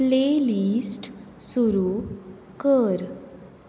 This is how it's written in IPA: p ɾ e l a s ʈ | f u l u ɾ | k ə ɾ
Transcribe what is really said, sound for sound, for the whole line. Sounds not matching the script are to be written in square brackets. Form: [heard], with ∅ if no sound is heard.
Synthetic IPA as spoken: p [l] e l [i] s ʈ | [s] u [ɾ] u [∅] | k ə ɾ